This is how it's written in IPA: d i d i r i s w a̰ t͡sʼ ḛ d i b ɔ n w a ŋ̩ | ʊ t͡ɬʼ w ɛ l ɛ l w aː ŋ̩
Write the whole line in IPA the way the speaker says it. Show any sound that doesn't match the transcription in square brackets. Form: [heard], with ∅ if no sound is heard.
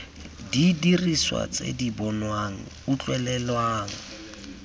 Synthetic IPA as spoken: d i d i r i s w a̰ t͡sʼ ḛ d i b ɔ n w a ŋ̩ | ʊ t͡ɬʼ w ɛ l ɛ l w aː ŋ̩